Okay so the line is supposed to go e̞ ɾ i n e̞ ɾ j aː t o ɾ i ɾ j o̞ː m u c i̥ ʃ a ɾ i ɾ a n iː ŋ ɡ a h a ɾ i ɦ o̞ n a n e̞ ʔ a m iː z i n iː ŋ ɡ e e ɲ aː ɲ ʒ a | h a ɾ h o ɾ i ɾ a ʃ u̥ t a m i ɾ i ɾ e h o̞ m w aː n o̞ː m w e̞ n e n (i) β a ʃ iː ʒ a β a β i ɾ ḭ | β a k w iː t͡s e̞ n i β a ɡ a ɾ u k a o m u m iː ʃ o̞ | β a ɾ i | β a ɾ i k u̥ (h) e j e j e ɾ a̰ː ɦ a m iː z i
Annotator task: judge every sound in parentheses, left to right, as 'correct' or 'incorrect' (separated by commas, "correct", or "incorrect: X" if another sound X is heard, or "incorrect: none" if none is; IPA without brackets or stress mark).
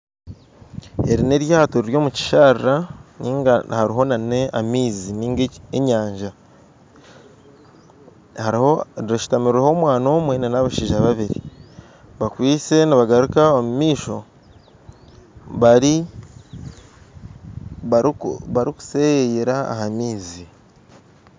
incorrect: a, incorrect: s